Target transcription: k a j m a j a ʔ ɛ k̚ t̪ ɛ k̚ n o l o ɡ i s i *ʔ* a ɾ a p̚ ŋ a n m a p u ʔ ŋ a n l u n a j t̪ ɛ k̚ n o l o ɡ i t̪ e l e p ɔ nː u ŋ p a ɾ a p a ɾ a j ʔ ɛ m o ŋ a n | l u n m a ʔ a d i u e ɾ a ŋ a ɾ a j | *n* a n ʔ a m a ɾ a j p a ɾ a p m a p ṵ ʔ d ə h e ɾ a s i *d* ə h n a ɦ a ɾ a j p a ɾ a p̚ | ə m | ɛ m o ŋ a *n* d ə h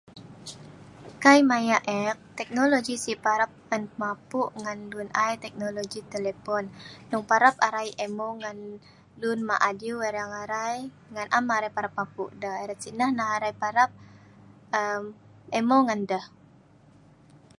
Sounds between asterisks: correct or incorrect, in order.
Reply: incorrect: p, incorrect: ŋ, incorrect: n, correct

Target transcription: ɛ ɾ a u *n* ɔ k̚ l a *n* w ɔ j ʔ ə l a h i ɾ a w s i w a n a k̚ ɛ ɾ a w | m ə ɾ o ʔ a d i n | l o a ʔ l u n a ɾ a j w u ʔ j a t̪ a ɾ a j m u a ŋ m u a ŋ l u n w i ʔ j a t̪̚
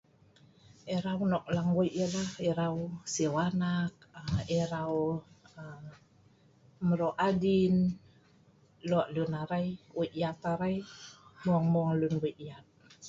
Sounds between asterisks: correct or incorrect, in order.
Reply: correct, incorrect: ŋ

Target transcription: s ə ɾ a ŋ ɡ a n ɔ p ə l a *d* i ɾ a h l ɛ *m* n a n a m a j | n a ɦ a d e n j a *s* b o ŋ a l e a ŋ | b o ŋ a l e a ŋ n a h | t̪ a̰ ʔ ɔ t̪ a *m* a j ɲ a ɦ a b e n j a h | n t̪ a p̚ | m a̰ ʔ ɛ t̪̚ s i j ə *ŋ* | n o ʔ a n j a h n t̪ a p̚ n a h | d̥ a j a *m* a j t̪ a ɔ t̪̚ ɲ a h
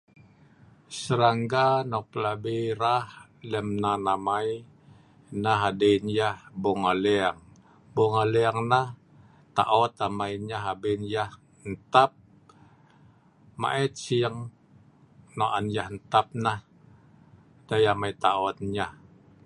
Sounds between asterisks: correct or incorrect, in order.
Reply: incorrect: b, correct, incorrect: h, correct, correct, correct

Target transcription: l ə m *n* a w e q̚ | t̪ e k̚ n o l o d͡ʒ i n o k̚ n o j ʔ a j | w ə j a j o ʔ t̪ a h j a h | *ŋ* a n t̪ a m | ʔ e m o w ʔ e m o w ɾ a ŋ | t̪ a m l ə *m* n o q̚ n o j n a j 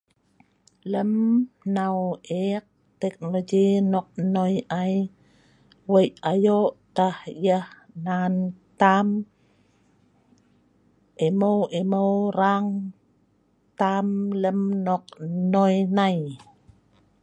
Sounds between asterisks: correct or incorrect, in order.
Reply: correct, incorrect: n, correct

